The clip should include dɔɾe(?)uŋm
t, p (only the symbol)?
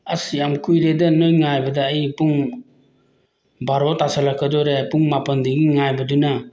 p